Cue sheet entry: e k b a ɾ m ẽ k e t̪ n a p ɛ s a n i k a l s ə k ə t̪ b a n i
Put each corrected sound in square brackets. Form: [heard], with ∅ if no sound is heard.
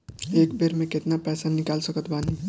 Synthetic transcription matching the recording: e k b [e] ɾ m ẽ k e t̪ n a p ɛ s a n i k a l s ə k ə t̪ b a n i